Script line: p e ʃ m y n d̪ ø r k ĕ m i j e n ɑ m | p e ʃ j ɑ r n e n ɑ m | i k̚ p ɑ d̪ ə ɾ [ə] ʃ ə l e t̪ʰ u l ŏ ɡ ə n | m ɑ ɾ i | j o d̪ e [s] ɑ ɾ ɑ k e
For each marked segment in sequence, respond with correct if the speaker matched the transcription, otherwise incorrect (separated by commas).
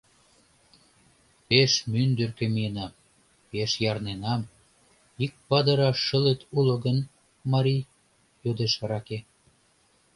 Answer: incorrect, incorrect